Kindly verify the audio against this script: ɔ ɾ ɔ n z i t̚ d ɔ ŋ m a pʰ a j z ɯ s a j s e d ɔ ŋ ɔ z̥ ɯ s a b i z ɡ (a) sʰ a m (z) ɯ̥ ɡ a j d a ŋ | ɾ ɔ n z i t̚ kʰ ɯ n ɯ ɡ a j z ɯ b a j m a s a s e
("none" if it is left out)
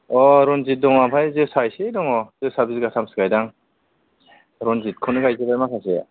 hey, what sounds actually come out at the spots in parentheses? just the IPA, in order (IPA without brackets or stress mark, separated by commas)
a, s